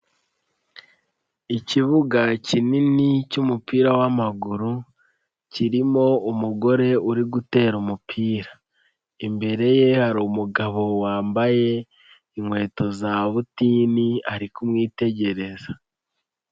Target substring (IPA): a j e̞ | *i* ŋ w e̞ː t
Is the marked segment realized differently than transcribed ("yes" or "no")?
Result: no